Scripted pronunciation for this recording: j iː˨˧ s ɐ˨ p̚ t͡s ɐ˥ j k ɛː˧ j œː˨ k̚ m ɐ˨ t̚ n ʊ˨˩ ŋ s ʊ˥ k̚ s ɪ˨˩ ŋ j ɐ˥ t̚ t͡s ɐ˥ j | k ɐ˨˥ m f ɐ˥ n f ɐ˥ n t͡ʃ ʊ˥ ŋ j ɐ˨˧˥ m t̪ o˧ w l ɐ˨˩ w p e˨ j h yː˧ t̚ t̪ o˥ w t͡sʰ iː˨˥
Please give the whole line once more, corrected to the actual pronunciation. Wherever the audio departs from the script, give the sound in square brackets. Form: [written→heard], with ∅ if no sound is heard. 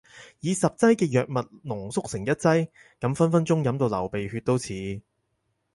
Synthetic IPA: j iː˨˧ s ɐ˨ p̚ t͡s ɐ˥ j k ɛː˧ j œː˨ k̚ m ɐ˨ t̚ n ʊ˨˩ ŋ s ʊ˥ k̚ s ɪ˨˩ ŋ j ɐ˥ t̚ t͡s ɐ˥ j | k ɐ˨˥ m f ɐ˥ n f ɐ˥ n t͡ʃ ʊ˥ ŋ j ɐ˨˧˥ m t̪ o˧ w l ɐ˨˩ w p e˨ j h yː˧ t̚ t̪ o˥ w t͡sʰ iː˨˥

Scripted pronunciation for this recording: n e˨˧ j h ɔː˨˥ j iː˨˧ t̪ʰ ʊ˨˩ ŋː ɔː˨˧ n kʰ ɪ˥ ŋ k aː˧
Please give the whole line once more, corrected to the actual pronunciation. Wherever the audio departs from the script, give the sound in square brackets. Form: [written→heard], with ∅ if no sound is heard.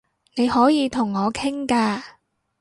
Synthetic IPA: n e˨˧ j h ɔː˨˥ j iː˨˧ t̪ʰ ʊ˨˩ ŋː ɔː˨˧ [n→∅] kʰ ɪ˥ ŋ k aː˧

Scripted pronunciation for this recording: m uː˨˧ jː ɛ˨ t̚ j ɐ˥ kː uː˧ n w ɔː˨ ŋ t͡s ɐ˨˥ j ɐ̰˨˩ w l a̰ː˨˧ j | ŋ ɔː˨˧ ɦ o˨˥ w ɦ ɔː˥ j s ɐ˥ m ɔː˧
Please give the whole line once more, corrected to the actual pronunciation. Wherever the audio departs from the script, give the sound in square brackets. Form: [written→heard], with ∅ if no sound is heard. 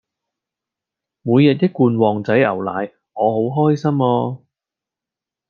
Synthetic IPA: m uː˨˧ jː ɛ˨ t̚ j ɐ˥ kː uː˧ n w ɔː˨ ŋ t͡s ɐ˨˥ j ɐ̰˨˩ w l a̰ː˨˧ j | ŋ ɔː˨˧ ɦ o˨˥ w ɦ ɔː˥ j s ɐ˥ m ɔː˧

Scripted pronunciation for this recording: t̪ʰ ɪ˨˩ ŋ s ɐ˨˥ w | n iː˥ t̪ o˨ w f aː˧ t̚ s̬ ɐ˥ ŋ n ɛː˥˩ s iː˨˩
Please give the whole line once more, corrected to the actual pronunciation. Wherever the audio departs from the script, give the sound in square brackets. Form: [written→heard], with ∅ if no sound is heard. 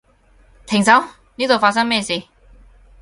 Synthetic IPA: t̪ʰ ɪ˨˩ ŋ s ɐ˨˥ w | n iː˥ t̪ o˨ w f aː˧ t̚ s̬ ɐ˥ ŋ [n→m] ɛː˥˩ s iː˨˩

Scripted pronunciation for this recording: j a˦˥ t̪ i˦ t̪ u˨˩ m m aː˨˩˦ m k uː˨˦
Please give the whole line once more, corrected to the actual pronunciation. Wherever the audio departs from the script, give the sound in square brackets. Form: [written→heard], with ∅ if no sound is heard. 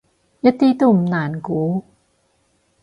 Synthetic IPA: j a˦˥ t̪ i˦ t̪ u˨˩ m [m→n] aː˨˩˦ [m→n] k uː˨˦

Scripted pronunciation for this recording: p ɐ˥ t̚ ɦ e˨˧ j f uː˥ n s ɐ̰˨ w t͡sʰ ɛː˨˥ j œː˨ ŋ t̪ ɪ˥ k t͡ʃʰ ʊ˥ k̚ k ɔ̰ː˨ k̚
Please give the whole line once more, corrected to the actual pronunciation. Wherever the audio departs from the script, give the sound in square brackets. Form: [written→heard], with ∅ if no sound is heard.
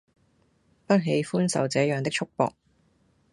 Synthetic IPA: p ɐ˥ t̚ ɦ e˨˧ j f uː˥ n s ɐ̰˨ w [t͡sʰ→t͡s] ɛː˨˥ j œː˨ ŋ t̪ ɪ˥ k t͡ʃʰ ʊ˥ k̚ [k→p] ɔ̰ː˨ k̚

